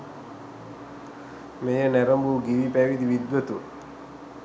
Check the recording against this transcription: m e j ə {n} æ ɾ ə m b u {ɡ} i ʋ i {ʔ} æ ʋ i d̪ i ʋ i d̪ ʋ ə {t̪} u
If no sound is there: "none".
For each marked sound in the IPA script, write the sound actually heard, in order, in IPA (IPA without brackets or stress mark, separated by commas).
n, ɡ, p, t̪